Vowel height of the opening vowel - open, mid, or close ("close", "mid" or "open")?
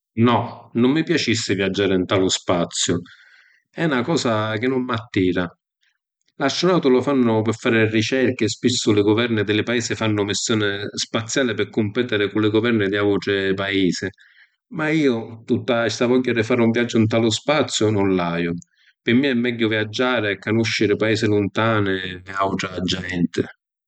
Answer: mid